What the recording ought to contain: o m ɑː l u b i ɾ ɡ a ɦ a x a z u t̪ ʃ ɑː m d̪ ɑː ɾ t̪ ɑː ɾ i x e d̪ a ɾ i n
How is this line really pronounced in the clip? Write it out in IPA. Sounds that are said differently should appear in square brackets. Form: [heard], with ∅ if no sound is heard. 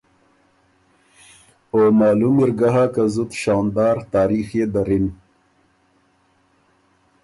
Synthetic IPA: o m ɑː l u [m] i ɾ ɡ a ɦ a [k] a z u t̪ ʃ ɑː [n] d̪ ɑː ɾ t̪ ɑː ɾ i x e d̪ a ɾ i n